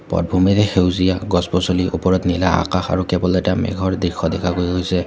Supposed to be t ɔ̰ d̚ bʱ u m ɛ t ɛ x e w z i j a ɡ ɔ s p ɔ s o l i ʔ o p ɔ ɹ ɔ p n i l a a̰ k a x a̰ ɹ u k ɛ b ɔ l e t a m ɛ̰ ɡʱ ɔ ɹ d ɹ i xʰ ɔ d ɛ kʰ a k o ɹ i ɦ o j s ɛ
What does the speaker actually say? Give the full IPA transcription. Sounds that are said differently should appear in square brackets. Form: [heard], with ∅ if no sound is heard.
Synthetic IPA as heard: [p] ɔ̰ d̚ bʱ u m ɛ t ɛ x e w z i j a ɡ ɔ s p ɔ s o l i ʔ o p ɔ ɹ ɔ [t] n i l a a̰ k a x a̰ ɹ u k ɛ b ɔ l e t a m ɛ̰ ɡʱ ɔ ɹ d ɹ i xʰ ɔ d ɛ kʰ a k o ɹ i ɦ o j s ɛ